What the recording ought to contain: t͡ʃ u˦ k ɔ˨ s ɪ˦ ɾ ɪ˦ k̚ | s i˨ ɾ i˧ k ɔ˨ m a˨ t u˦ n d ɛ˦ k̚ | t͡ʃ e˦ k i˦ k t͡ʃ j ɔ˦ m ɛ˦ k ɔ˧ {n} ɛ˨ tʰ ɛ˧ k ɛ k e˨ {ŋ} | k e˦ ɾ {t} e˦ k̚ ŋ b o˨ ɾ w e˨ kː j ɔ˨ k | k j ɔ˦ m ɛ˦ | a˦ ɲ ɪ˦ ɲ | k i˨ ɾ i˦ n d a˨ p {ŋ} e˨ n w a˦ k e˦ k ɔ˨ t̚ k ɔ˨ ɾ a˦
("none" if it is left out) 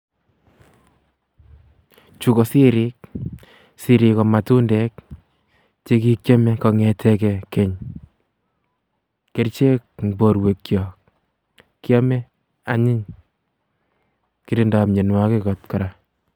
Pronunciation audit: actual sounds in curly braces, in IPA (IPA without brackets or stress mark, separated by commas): ŋ, ɲ, t͡ʃ, ɲ